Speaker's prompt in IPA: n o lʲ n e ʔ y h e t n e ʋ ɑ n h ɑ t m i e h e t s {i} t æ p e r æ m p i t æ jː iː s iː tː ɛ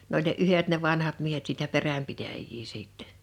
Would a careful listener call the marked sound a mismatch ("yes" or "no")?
yes